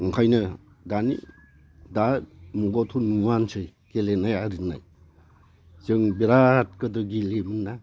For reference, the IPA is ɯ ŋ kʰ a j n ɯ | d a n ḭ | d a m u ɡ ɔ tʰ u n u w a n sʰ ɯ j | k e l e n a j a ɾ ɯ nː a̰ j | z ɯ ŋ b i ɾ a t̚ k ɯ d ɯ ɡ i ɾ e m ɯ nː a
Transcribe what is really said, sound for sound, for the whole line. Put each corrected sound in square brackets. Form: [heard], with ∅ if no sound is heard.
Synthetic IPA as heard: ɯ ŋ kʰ a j n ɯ | d a n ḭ | d a m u ɡ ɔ tʰ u n u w a n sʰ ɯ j | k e l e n a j a ɾ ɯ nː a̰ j | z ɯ ŋ b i ɾ a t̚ k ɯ d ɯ ɡ i [l] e m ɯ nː a

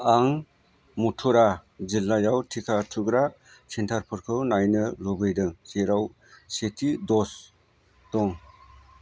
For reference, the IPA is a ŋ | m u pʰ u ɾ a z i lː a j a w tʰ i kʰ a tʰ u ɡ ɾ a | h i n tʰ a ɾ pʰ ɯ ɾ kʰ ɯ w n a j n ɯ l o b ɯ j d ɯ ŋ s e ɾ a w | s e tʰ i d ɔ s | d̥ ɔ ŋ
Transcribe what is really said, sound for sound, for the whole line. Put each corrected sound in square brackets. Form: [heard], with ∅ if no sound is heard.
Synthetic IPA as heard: a ŋ | m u [tʰ] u ɾ a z i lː a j a w tʰ i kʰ a tʰ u ɡ ɾ a | [s] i n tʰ a ɾ pʰ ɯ ɾ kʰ ɯ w n a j n ɯ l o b ɯ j d ɯ ŋ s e ɾ a w | s e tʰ i d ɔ s | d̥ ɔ ŋ

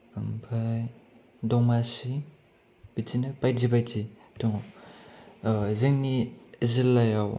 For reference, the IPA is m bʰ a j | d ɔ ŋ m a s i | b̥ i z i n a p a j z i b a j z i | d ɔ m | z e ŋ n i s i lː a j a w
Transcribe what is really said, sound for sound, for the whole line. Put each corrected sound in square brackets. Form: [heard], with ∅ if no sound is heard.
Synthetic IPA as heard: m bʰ a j | d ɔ ŋ m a s i | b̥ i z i n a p a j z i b a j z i | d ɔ [ŋ] | z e ŋ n i [z] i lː a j a w

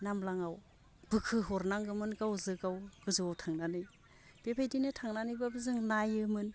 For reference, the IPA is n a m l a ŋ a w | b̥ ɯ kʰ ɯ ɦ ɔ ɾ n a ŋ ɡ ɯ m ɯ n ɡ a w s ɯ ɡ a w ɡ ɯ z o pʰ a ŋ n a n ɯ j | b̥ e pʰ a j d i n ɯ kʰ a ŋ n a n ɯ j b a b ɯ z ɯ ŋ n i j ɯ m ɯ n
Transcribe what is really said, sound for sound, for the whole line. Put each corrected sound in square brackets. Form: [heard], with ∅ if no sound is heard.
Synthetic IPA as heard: n a m l a ŋ a w | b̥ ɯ kʰ ɯ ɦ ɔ ɾ n a ŋ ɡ ɯ m ɯ n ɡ a w [z] ɯ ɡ a w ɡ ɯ z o [tʰ] a ŋ n a n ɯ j | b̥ e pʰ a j d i n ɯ [tʰ] a ŋ n a n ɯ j b a b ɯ z ɯ ŋ n [a] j ɯ m ɯ n

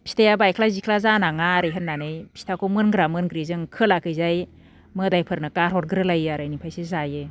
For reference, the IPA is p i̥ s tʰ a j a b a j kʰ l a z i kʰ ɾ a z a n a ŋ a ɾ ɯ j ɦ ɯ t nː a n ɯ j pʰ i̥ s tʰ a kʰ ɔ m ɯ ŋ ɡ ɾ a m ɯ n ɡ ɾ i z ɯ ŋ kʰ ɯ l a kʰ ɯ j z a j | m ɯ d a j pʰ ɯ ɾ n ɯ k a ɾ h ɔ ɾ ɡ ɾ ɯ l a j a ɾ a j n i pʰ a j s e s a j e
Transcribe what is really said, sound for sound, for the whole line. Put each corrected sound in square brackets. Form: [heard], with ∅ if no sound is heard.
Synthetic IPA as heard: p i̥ s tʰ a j a b a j kʰ l a z i kʰ [l] a z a n a ŋ a ɾ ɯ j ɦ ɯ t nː a n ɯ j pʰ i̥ s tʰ a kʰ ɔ m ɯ [n] ɡ ɾ a m ɯ n ɡ ɾ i z ɯ ŋ kʰ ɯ l a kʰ ɯ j z a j | m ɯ d a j pʰ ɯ ɾ n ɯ k a ɾ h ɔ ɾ ɡ ɾ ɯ l a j a ɾ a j n i pʰ a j s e [z] a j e

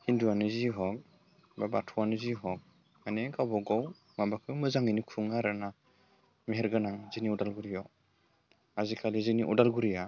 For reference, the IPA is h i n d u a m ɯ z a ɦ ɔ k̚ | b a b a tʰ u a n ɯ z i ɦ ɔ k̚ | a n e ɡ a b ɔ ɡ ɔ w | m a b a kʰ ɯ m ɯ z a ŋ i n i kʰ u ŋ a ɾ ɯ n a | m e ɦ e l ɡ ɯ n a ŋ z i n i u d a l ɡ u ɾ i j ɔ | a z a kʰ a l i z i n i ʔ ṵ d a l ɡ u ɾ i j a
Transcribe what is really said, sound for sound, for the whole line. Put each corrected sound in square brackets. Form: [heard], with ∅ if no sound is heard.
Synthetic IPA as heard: h i n d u a [n] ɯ z [i] ɦ ɔ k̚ | b a b a tʰ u a n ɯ z i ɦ ɔ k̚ | a n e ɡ a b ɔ ɡ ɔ w | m a b a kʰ ɯ m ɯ z a ŋ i n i kʰ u ŋ a ɾ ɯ n a | m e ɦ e [ɾ] ɡ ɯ n a ŋ z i n i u d a l ɡ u ɾ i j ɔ | a z [i] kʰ a l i z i n i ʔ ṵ d a l ɡ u ɾ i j a

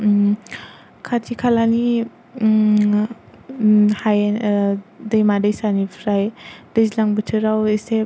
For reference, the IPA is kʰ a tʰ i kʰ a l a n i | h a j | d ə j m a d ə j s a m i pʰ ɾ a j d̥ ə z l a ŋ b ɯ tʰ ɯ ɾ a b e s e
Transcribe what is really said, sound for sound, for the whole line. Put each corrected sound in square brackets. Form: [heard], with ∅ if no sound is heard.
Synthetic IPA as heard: kʰ a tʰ i kʰ a l a n i | h a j | d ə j m a d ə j s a [n] i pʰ ɾ a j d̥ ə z l a ŋ b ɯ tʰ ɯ ɾ a [w] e s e

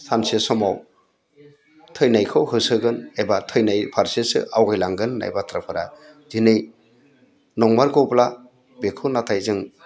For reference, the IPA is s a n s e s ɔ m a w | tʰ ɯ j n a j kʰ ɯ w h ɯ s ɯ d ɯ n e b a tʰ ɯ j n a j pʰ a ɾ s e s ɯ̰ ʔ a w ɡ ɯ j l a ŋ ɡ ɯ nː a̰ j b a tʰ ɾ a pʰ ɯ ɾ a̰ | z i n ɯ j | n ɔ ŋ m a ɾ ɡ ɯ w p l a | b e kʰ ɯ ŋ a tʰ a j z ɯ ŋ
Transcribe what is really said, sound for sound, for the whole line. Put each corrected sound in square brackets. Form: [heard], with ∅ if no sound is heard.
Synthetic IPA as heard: s a n s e s ɔ m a w | tʰ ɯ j n a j kʰ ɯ w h ɯ s ɯ [ɡ] ɯ n e b a tʰ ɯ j n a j pʰ a ɾ s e s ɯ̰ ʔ a w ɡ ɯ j l a ŋ ɡ ɯ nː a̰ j b a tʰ ɾ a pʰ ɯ ɾ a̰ | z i n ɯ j | n ɔ ŋ m a ɾ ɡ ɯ w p l a | b e kʰ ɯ [n] a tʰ a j z ɯ ŋ

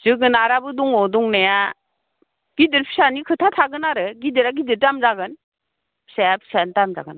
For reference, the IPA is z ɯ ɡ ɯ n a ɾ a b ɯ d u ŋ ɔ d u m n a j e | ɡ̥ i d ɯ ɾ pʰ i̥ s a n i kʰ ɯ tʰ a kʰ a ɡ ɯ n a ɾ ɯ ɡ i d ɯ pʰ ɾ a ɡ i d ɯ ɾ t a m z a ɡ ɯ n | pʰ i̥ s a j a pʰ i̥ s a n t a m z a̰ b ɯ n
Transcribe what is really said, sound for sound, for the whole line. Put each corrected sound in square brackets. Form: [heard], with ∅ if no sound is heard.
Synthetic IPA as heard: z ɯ ɡ ɯ n a ɾ a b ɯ d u ŋ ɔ d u [ŋ] n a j [a] | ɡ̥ i d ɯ ɾ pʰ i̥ s a n i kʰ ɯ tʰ a [tʰ] a ɡ ɯ n a ɾ ɯ ɡ i d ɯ [∅] ɾ a ɡ i d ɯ ɾ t a m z a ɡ ɯ n | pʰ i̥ s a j a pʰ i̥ s a n t a m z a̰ [ɡ] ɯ n

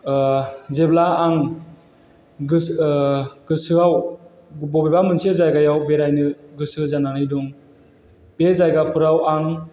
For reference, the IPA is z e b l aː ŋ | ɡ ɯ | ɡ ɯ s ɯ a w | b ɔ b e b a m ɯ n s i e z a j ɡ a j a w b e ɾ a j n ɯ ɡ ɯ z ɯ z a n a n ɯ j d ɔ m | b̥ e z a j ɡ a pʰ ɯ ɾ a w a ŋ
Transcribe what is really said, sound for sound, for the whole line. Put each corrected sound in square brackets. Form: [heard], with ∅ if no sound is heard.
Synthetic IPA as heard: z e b l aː ŋ | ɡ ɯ | ɡ ɯ s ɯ a w | b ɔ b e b a m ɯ n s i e z a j ɡ a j a w b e ɾ a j n ɯ ɡ ɯ [s] ɯ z a n a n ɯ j d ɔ [ŋ] | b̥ e z a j ɡ a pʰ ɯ ɾ a w a ŋ

